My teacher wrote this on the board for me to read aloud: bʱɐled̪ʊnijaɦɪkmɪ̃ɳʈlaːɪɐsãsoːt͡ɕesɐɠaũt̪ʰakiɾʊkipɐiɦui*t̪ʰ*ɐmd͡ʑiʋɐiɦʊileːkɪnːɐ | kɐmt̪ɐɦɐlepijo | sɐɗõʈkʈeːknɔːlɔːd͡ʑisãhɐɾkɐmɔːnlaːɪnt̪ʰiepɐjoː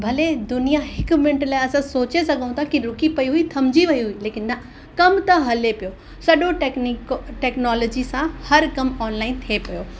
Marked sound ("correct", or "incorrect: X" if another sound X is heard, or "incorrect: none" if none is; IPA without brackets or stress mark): correct